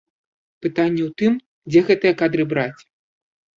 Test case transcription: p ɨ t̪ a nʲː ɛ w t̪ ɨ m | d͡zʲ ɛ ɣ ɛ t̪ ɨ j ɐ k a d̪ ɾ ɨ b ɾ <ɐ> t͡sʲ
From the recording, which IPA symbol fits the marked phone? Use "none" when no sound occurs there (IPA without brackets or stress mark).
a